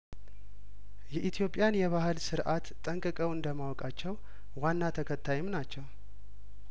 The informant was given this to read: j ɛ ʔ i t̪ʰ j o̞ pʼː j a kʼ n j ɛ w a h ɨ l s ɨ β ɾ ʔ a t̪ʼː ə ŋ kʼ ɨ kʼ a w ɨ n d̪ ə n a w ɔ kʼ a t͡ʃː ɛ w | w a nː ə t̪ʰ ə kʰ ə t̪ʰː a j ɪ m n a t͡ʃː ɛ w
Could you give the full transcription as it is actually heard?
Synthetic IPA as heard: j ɛ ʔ i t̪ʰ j o̞ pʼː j a n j ɛ β a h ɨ l s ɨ ɾ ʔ a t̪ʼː ə ŋ kʼ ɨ kʼ ə w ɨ n d̪ ə m a w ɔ kʼ a t͡ʃː ɛ w | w a nː a t̪ʰ ə kʰ ə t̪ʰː a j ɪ m n a t͡ʃː ɛ w